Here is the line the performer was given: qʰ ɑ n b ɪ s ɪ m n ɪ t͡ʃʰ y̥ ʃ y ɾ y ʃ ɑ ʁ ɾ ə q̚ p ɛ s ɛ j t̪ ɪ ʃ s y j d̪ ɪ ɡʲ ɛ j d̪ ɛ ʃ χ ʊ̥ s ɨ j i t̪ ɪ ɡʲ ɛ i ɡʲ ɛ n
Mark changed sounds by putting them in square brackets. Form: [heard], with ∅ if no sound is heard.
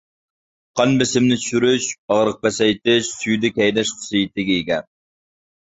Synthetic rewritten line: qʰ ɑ n b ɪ s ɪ m n ɪ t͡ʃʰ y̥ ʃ y ɾ y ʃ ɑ ʁ ɾ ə q̚ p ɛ s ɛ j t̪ ɪ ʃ s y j d̪ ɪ [kʲ] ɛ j d̪ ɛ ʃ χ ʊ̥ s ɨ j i t̪ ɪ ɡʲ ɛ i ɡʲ ɛ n